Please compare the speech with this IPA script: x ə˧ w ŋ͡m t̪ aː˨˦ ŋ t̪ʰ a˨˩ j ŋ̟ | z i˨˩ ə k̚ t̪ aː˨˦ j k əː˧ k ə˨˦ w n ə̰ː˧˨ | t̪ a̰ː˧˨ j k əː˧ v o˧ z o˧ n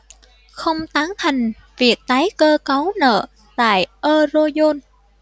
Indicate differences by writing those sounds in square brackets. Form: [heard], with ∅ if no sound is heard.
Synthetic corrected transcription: x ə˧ w ŋ͡m t̪ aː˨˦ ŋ t̪ʰ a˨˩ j ŋ̟ | [v] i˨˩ ə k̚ t̪ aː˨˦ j k əː˧ k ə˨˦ w n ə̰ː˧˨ | t̪ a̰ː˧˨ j [ʔ] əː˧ [z] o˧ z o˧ n